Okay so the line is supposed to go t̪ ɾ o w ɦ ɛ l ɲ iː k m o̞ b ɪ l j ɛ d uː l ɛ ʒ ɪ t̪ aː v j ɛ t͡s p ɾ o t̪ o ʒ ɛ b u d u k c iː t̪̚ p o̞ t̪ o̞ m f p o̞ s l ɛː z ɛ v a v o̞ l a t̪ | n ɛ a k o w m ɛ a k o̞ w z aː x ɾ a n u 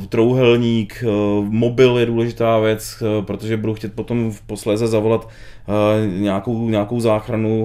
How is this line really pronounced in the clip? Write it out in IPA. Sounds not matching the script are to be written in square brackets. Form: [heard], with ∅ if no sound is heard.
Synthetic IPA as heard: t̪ ɾ o w ɦ ɛ l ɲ iː k m o̞ b ɪ l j ɛ d uː l ɛ ʒ ɪ t̪ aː v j ɛ t͡s p ɾ o t̪ o ʒ ɛ b u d u [x] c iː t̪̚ p o̞ t̪ o̞ m f p o̞ s l ɛː z ɛ [z] a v o̞ l a t̪ | [ɲ] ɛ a k o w [ɲ] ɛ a k o̞ w z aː x ɾ a n u